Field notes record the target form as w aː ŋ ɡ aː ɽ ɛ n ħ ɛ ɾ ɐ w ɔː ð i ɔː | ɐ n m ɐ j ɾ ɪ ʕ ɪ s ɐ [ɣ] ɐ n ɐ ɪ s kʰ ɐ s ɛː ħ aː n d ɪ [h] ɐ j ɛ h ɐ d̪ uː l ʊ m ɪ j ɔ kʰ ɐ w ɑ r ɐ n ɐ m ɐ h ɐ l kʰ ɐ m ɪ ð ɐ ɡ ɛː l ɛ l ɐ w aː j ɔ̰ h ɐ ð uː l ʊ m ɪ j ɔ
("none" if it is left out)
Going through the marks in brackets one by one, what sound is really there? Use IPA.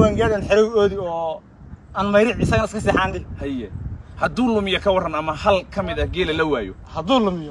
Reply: ɣ, h

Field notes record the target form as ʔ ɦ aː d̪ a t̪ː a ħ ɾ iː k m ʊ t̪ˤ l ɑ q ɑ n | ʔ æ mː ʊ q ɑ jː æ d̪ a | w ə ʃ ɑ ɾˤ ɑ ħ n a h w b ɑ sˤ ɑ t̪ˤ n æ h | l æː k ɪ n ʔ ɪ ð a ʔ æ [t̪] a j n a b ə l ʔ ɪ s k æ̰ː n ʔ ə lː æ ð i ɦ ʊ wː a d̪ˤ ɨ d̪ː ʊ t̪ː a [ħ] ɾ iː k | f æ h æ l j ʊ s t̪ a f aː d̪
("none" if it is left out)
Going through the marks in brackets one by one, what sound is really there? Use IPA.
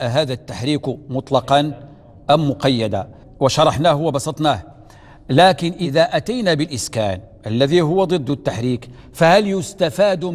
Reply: t̪, ħ

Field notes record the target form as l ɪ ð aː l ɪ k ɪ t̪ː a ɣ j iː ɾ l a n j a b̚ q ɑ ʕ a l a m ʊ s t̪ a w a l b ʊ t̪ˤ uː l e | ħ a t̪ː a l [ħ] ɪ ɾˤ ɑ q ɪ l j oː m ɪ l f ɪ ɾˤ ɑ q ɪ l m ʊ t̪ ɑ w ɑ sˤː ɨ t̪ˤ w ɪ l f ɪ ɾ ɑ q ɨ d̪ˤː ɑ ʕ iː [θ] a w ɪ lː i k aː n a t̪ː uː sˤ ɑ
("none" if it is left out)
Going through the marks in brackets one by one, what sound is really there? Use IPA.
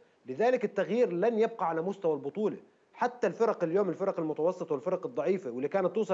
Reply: f, f

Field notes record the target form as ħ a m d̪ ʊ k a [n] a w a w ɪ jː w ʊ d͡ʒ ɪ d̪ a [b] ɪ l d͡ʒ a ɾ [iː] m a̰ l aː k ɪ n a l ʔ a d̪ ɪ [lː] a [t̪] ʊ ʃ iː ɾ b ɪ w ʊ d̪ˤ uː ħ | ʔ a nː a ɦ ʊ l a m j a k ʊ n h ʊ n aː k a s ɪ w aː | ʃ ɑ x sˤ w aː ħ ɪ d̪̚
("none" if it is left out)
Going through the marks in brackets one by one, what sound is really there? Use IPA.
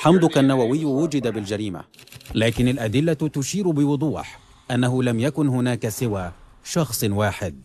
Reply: nː, b, iː, lː, t̪

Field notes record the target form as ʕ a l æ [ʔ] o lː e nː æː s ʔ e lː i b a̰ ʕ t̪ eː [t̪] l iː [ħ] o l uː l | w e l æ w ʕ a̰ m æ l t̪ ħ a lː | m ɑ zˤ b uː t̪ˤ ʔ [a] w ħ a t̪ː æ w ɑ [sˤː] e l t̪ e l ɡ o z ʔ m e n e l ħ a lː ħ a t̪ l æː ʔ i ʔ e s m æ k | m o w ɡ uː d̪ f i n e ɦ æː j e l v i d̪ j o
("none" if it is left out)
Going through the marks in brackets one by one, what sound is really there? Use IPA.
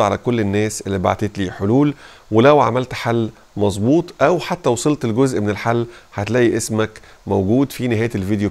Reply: k, t̪, ħ, æ, sˤ

